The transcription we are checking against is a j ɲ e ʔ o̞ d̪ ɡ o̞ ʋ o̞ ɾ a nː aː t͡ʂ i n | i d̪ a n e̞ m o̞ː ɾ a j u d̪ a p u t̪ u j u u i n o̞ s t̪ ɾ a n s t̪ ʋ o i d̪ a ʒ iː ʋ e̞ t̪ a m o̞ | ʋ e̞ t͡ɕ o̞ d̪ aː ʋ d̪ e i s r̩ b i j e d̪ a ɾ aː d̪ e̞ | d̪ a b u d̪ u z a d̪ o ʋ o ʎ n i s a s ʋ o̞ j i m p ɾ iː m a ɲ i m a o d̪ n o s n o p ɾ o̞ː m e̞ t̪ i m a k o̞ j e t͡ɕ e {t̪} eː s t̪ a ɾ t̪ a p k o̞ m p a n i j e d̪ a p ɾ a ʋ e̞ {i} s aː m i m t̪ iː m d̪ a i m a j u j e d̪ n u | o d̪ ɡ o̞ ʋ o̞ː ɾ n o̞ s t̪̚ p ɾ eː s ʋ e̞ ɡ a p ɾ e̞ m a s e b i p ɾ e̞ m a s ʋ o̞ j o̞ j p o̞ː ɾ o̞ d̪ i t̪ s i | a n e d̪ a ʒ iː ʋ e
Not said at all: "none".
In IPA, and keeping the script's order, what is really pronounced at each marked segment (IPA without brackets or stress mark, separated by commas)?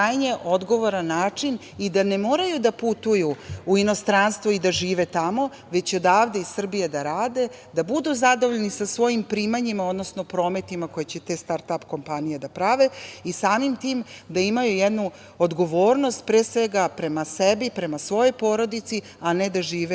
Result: t̪, i